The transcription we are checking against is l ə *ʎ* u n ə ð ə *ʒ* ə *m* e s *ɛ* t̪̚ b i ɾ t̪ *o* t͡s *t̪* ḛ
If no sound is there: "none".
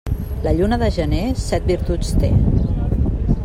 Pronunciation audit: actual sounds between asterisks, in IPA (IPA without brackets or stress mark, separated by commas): ʎ, ʒ, n, ɛ, u, t̪